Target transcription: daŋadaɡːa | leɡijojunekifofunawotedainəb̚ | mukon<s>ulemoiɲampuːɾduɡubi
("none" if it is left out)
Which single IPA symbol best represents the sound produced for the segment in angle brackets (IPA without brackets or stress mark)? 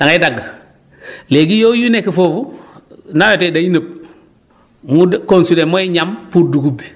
s